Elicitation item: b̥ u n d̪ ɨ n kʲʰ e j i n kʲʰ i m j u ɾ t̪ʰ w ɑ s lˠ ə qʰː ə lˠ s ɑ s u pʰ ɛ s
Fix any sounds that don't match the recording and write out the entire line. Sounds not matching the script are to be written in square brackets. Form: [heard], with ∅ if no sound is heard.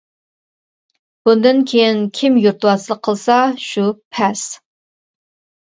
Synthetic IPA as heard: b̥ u n d̪ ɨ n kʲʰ e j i n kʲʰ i m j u ɾ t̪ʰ w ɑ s lˠ ə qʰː ə lˠ s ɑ [ʃ] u pʰ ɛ s